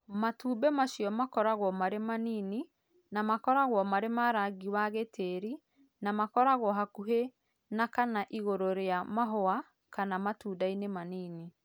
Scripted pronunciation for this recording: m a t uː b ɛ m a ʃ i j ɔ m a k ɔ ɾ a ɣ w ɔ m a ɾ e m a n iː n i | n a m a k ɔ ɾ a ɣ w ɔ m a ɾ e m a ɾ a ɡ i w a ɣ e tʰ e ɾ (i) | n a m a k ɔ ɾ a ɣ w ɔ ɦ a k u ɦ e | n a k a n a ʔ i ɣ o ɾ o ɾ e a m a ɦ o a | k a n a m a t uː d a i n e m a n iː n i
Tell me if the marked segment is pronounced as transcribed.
yes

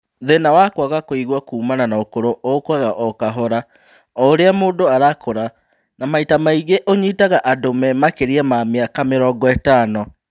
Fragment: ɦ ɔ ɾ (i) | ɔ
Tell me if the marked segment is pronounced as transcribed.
no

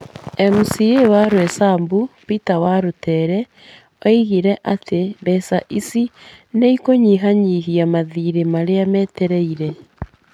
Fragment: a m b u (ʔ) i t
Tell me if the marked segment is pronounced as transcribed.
no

